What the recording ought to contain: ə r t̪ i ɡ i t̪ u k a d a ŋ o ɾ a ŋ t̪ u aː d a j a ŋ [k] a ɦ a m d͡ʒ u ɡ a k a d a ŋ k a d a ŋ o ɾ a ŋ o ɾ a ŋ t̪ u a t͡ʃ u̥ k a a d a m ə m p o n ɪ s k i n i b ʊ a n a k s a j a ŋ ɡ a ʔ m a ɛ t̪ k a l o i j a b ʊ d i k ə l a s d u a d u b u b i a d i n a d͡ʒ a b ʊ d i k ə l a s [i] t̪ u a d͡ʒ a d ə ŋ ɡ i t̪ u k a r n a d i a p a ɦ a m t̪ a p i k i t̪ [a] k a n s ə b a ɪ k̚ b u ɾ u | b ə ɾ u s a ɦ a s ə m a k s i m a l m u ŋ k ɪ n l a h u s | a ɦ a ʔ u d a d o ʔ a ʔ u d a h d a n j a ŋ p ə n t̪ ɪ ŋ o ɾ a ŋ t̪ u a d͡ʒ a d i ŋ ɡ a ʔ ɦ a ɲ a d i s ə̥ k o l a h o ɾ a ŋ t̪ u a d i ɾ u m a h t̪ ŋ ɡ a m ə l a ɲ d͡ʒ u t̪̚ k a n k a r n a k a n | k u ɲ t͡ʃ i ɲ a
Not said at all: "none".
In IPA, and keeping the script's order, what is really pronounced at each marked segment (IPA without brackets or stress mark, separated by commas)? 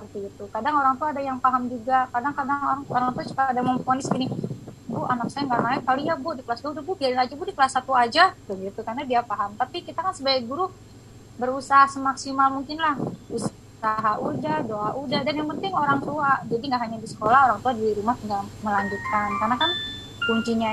p, a, a